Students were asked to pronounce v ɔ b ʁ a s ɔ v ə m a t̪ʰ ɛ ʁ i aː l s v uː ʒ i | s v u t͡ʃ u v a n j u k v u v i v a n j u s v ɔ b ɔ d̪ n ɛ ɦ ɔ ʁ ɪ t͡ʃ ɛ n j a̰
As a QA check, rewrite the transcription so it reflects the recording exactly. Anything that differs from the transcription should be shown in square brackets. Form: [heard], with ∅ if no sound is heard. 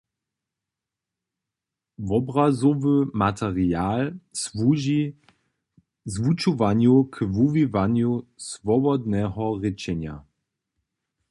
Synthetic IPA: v ɔ b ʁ a [z] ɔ v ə m a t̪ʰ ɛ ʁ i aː l s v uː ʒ i | [z] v u t͡ʃ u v a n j u k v u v i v a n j u s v ɔ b ɔ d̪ n ɛ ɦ ɔ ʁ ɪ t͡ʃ ɛ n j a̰